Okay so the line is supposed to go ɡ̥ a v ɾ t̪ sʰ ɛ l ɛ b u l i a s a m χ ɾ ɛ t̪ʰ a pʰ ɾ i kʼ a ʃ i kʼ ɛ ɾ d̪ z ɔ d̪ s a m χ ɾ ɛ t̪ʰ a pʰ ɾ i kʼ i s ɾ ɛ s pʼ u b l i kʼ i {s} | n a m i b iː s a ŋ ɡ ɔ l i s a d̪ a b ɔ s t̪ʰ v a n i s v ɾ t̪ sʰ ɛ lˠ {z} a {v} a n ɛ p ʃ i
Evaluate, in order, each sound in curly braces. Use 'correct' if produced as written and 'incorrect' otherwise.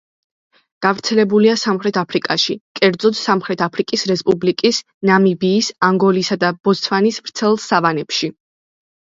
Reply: correct, incorrect, correct

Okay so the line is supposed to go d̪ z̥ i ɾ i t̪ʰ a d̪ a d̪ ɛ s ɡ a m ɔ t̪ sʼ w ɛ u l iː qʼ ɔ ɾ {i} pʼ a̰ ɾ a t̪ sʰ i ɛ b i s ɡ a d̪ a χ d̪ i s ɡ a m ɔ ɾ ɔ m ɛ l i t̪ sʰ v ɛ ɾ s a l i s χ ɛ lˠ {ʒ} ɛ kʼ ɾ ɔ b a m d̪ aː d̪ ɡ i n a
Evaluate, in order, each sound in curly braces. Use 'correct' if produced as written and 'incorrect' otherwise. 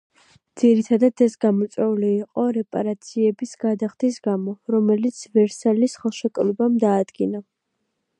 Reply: incorrect, incorrect

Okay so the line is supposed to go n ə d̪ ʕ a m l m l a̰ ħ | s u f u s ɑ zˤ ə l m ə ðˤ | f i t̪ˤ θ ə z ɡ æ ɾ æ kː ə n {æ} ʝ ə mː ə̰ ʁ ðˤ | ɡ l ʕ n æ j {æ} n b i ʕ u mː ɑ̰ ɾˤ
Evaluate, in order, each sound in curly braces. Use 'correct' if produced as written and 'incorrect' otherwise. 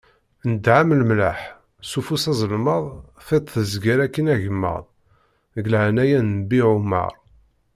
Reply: correct, correct

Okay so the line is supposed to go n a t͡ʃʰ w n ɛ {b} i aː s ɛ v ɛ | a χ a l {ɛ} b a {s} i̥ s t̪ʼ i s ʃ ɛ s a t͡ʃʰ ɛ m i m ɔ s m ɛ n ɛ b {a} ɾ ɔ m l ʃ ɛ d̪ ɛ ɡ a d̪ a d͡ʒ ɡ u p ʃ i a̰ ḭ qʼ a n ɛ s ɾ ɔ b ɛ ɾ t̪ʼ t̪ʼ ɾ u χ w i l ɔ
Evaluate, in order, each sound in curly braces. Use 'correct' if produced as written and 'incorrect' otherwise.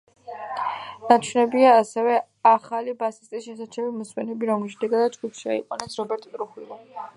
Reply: correct, incorrect, correct, incorrect

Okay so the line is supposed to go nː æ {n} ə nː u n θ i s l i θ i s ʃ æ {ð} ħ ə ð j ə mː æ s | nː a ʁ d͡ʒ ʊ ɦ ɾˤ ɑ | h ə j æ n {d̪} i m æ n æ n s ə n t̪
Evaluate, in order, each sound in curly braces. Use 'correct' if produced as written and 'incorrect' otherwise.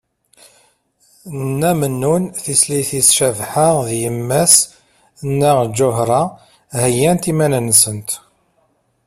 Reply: incorrect, incorrect, incorrect

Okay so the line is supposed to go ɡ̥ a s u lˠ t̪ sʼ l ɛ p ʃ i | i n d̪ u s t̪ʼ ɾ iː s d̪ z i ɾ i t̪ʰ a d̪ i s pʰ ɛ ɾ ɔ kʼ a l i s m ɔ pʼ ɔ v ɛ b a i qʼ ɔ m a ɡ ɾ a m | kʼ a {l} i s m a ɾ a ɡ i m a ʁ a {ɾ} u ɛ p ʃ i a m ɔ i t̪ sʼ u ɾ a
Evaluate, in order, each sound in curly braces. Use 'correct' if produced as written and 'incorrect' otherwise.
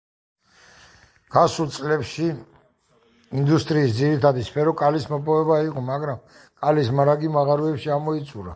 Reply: correct, correct

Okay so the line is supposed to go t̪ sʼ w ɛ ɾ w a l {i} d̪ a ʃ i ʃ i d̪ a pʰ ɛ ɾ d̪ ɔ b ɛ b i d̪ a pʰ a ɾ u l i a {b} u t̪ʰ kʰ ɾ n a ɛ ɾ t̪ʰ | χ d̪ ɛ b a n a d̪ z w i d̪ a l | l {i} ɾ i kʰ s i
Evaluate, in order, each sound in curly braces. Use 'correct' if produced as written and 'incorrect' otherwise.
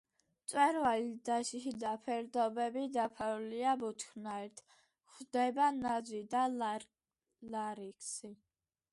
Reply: correct, correct, incorrect

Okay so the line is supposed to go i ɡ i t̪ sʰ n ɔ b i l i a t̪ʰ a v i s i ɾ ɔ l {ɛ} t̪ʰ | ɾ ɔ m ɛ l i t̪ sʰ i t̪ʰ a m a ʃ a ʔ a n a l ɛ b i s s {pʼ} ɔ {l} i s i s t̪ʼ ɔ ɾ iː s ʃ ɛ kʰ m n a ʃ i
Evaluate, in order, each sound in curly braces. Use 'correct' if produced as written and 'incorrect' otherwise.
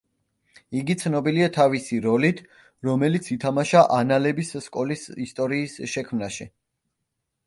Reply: incorrect, incorrect, correct

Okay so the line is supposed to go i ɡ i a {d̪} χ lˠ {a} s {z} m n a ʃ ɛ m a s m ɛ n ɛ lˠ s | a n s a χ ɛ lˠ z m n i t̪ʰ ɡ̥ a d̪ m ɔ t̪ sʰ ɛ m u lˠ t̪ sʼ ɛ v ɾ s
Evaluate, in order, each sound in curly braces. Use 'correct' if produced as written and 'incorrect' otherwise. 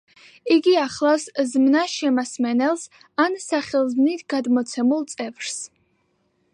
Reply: incorrect, correct, correct

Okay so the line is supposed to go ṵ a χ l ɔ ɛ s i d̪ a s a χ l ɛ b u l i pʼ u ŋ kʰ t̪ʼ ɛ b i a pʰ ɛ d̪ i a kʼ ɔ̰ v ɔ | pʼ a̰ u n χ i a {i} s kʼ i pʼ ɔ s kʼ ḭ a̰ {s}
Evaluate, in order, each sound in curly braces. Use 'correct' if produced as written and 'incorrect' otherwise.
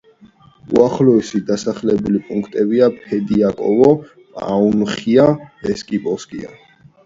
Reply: incorrect, incorrect

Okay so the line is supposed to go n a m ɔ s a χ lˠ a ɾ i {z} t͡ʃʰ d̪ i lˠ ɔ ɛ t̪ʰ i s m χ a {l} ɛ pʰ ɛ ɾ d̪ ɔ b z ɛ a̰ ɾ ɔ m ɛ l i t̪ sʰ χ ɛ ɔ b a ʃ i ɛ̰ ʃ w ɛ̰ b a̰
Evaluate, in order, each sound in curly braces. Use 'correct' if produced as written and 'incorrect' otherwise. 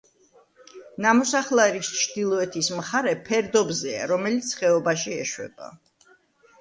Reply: incorrect, incorrect

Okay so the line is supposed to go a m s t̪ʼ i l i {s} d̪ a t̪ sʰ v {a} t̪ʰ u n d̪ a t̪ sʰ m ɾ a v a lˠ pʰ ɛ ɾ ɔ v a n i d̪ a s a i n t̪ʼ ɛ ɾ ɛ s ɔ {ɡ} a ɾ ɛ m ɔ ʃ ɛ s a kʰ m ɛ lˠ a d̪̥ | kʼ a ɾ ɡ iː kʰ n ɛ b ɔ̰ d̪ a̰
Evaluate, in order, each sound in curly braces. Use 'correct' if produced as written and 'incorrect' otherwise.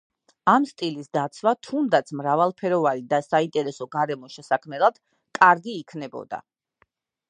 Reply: correct, correct, correct

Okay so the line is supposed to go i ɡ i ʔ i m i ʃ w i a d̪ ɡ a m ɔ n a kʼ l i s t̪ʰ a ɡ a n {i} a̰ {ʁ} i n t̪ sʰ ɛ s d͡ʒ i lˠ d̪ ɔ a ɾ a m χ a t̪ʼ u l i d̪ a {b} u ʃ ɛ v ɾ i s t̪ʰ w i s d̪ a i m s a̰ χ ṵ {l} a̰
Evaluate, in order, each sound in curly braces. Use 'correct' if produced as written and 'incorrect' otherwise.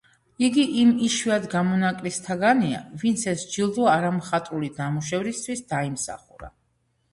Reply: correct, incorrect, incorrect, incorrect

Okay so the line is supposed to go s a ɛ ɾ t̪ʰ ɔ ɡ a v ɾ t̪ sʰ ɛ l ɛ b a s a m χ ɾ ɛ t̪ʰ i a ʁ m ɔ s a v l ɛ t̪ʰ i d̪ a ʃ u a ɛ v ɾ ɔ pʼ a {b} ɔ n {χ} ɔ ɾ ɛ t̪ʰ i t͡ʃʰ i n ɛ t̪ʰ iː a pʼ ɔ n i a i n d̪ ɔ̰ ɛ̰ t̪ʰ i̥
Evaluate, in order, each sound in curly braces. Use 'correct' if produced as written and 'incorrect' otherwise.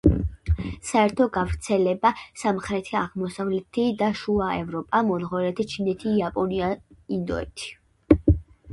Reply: incorrect, incorrect

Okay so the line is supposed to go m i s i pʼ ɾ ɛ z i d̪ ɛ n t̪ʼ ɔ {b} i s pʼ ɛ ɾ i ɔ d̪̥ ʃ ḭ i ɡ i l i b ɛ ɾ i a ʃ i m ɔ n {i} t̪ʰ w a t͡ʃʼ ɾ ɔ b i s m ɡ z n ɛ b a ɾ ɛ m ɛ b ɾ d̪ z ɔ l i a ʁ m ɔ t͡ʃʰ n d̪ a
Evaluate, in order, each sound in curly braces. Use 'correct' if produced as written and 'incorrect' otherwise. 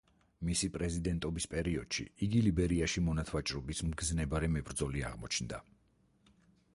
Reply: correct, incorrect

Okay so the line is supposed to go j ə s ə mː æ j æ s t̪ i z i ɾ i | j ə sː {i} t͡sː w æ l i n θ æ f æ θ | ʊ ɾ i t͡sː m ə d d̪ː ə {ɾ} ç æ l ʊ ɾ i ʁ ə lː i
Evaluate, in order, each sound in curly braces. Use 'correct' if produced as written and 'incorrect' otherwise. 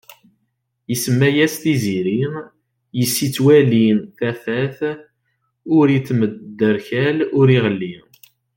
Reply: correct, correct

